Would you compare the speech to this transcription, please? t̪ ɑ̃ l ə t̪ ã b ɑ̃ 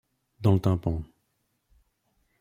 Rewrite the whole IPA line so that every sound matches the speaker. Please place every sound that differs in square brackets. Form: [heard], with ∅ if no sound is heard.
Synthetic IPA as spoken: [d̪] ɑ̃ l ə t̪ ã [p] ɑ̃